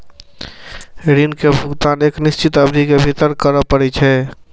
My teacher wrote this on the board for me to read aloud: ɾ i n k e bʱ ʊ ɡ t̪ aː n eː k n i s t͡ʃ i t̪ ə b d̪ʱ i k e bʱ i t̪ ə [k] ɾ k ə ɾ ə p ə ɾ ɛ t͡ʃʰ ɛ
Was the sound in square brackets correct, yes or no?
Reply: no